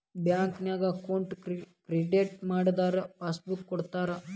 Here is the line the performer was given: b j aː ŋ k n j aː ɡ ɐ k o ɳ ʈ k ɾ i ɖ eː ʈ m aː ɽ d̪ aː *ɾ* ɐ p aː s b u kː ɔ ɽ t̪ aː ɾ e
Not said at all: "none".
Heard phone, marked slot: ɾ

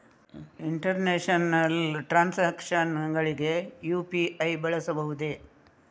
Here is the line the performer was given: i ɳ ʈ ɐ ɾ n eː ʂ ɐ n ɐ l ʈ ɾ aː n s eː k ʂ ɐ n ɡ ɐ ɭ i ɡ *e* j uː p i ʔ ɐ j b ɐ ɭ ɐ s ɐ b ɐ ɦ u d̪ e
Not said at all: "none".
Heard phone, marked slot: e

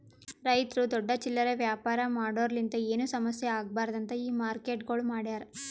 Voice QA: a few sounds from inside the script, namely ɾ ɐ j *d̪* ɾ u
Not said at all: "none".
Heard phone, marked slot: t̪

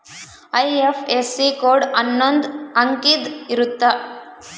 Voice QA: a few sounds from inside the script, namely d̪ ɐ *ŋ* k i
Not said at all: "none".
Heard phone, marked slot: ŋ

